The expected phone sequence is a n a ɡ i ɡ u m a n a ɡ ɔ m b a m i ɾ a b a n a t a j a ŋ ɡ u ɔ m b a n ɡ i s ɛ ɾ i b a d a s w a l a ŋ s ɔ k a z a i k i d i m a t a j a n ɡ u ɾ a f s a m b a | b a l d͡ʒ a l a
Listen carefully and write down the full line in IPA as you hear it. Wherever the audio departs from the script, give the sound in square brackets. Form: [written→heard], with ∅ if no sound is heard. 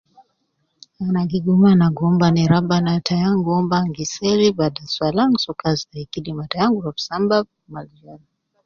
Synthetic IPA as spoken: a n a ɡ i ɡ u m a n a ɡ ɔ m b a [m→n] i ɾ a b a n a t a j a ŋ ɡ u ɔ m b a [n→ŋ] ɡ i s ɛ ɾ i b a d a s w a l a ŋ s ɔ k a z a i k i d i m a t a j a [n→ŋ] ɡ u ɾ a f s a m b a | [b→m] a l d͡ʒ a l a